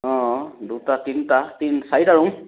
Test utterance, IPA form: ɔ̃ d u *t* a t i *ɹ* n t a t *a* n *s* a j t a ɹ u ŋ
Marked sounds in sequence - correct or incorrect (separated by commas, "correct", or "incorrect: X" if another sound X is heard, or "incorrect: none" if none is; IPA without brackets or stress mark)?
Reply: correct, incorrect: none, incorrect: i, correct